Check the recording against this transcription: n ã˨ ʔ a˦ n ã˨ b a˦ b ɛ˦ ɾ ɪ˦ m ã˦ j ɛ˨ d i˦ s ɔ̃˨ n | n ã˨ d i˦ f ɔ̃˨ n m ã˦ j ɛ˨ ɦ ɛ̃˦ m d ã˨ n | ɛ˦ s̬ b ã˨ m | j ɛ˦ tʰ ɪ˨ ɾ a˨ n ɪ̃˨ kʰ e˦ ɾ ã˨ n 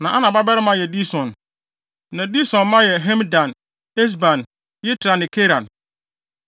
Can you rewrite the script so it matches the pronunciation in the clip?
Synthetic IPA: n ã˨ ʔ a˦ n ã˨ b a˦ b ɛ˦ ɾ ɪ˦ m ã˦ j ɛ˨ d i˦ s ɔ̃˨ n | n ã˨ d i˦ s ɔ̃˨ n m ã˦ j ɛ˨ ɦ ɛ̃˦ m d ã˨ n | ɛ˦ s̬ b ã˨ n | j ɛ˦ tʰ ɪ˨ ɾ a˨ n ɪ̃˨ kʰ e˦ ɾ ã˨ n